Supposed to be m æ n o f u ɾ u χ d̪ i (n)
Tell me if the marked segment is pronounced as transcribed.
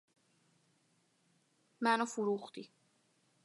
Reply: no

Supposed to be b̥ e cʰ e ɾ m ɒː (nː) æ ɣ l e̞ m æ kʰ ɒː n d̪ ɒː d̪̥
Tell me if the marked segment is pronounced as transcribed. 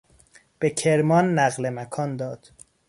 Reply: yes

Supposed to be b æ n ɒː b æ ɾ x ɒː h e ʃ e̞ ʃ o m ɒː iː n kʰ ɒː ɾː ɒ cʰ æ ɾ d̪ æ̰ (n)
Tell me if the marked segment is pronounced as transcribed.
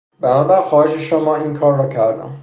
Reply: no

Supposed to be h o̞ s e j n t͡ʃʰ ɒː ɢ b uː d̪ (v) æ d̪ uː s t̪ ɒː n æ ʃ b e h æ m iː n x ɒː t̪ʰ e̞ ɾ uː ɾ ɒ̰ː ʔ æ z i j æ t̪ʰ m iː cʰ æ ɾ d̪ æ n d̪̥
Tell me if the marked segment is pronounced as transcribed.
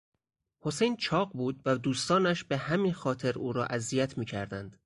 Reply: yes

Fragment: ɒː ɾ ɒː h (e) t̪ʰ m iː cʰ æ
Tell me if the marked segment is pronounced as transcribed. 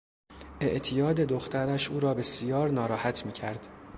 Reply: no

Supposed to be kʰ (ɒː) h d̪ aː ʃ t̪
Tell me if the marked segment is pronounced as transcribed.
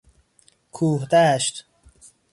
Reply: no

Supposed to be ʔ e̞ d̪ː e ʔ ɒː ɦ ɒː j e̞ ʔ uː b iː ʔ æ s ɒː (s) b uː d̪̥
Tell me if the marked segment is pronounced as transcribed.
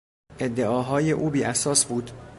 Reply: yes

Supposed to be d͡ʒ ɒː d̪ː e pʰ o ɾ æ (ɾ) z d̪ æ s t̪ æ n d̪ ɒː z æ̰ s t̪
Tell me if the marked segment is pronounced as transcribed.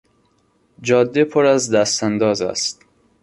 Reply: no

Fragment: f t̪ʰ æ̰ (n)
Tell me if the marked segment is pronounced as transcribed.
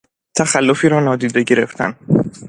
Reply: yes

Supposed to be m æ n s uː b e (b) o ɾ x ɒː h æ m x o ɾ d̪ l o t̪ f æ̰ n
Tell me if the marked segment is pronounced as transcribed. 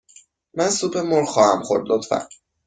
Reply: no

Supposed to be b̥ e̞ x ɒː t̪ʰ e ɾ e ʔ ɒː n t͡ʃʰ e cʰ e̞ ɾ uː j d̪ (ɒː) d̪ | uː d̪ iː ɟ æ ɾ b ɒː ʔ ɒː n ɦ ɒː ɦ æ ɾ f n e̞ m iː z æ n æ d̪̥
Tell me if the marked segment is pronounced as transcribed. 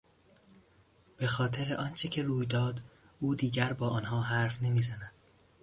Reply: yes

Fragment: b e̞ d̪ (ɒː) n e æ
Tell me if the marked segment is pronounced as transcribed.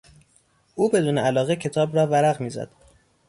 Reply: no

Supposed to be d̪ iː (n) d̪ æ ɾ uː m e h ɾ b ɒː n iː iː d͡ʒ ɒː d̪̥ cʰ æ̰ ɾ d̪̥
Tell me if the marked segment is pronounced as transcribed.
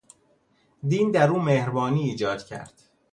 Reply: yes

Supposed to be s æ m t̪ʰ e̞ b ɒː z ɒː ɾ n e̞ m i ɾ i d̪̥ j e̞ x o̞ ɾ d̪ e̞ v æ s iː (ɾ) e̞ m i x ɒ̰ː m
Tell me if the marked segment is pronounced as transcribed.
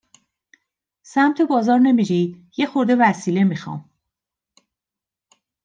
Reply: no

